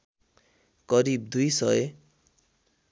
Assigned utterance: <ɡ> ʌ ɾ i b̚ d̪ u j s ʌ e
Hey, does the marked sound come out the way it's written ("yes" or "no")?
no